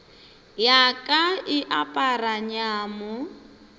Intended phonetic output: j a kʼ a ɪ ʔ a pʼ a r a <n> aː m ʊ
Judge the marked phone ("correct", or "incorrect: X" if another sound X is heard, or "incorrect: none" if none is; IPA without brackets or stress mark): incorrect: ɲ